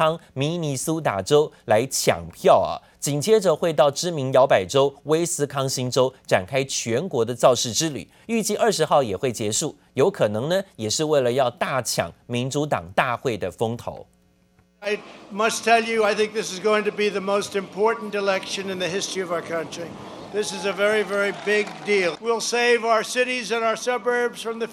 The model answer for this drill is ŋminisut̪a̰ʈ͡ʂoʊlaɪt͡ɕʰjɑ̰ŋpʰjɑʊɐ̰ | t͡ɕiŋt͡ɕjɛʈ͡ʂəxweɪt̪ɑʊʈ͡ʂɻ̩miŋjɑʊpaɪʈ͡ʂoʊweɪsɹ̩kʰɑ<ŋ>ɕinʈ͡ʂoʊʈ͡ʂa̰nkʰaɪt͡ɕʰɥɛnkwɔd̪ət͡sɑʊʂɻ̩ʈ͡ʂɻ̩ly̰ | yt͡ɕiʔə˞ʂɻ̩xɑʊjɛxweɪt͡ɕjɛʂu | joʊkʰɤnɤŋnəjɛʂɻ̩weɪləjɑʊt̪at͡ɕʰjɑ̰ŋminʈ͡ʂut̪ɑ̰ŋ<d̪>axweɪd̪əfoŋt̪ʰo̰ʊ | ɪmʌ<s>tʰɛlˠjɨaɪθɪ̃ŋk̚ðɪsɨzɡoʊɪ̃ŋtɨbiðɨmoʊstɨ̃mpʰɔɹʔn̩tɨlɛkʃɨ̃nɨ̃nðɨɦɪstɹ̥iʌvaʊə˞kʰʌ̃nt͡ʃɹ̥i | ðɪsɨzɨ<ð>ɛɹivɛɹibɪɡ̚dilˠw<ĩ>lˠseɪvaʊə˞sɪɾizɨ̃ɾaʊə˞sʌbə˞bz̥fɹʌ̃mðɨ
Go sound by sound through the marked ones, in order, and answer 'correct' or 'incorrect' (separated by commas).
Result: correct, incorrect, correct, incorrect, incorrect